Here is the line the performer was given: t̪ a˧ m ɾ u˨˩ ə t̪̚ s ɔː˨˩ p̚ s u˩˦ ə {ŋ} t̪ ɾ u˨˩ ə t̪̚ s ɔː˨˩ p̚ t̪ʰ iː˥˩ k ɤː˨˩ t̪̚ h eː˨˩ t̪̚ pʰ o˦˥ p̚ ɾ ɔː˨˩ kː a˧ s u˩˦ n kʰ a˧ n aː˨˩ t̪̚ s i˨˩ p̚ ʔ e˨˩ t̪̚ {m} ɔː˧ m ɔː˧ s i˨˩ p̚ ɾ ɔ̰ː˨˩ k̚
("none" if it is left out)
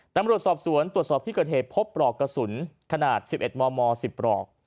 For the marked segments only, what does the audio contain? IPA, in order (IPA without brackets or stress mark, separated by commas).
n, m